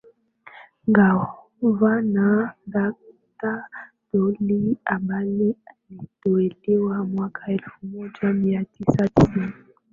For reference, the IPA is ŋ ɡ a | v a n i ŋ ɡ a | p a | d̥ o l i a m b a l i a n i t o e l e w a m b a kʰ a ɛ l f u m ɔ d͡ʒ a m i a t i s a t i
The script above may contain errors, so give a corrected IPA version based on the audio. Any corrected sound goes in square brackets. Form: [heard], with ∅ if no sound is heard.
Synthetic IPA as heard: ŋ ɡ a | v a n [a] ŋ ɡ a | [t] a | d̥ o l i a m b a l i a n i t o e l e w a m [w] a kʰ a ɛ l f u m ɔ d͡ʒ a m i a t i s a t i